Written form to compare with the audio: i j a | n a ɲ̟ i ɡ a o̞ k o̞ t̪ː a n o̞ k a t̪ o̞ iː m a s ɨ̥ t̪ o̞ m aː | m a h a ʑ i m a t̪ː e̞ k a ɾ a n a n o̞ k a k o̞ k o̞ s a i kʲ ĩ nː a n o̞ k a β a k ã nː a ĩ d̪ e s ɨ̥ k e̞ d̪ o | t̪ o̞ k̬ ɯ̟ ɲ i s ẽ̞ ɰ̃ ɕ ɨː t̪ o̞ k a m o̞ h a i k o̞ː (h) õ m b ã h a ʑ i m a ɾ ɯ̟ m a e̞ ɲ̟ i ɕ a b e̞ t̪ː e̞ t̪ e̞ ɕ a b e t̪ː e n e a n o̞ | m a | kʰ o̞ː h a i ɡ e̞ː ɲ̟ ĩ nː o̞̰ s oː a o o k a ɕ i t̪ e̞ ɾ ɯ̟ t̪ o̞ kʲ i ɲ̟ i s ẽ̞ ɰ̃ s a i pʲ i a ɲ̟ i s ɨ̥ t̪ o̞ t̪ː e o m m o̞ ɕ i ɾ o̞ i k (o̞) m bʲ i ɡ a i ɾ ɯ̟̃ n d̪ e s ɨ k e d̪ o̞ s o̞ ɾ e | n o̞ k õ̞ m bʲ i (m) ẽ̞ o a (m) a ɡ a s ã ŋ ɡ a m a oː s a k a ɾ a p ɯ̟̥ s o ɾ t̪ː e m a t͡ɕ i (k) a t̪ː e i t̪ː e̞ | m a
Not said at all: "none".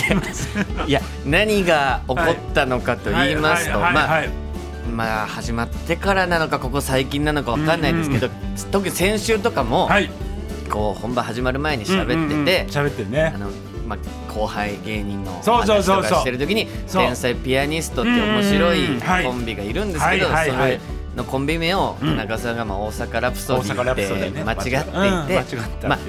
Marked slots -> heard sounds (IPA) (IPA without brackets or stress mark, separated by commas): h, õ̞, m, n, ɡ